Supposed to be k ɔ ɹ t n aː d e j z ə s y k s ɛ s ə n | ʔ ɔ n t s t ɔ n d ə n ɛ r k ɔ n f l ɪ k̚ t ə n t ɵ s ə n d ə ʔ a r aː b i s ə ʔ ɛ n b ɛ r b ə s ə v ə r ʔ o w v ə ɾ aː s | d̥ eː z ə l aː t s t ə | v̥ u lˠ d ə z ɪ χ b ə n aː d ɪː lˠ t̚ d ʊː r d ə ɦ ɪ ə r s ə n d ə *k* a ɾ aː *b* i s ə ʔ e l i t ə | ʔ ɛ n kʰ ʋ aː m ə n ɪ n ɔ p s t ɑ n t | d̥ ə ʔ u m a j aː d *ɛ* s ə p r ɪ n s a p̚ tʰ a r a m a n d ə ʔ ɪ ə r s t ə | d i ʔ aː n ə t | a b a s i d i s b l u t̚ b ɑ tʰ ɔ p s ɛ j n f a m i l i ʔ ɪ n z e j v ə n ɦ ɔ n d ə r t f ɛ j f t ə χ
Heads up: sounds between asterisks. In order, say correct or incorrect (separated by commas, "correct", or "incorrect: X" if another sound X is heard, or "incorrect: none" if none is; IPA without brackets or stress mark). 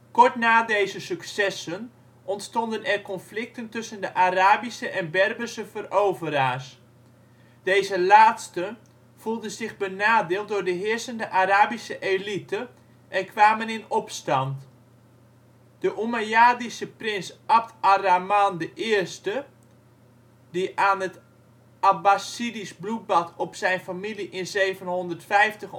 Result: incorrect: ʔ, correct, incorrect: i